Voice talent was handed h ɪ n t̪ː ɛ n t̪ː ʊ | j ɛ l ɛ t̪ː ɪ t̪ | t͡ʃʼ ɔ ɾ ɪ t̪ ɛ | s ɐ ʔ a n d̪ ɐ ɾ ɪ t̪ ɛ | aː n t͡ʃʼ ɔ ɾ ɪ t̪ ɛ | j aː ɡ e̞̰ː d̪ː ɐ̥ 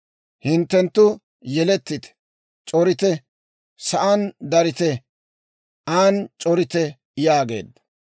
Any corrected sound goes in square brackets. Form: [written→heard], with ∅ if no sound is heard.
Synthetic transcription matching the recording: h ɪ n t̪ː ɛ n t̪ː ʊ | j ɛ l ɛ t̪ː ɪ t̪ | t͡ʃʼ ɔ ɾ ɪ t̪ ɛ | s ɐ ʔ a n d̪ ɐ ɾ ɪ t̪ ɛ | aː n t͡ʃʼ ɔ ɾ ɪ t̪ ɛ | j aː ɡ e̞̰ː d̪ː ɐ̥

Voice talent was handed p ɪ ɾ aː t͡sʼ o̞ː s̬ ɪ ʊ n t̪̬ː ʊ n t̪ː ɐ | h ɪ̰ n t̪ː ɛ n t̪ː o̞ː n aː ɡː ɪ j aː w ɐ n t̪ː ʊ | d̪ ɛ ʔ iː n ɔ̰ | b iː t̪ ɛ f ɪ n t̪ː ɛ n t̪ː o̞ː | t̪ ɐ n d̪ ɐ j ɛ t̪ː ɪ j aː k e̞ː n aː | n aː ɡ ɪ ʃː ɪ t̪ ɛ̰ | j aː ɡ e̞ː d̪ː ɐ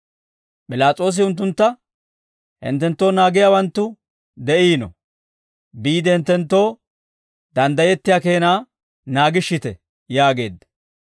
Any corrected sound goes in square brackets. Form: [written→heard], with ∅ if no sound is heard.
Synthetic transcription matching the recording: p ɪ [ɾ→l] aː t͡sʼ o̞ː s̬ ɪ ʊ n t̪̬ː ʊ n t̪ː ɐ | h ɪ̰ n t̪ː ɛ n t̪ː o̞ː n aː [ɡː→ɡ] ɪ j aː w ɐ n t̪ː ʊ | d̪ ɛ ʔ iː n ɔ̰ | b iː [t̪→d̪] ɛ [f→h] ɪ n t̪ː ɛ n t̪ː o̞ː | [t̪→d̪] ɐ n d̪ ɐ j ɛ t̪ː ɪ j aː k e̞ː n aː | n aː ɡ ɪ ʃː ɪ t̪ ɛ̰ | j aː ɡ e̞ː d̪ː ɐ

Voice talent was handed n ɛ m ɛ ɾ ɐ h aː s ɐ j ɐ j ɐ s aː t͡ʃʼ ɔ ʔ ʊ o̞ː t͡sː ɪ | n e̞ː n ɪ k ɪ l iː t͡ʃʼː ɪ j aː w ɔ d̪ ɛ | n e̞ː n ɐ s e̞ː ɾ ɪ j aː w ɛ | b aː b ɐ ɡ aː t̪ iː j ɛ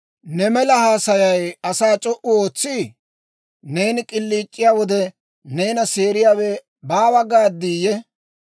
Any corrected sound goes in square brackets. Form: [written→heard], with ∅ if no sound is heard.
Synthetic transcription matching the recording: n ɛ m ɛ [ɾ→l] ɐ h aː s ɐ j ɐ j ɐ s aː t͡ʃʼ ɔ ʔ ʊ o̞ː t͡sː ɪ | n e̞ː n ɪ [k→kʼ] ɪ [l→lː] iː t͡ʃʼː ɪ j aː w ɔ d̪ ɛ | n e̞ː n ɐ s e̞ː ɾ ɪ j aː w ɛ | b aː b ɐ ɡ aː [t̪→d̪] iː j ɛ

